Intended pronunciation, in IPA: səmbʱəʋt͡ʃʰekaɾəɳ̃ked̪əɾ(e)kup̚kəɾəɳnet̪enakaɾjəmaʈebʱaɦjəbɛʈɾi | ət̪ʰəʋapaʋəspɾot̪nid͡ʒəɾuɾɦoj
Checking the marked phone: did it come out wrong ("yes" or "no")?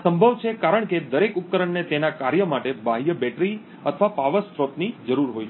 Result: no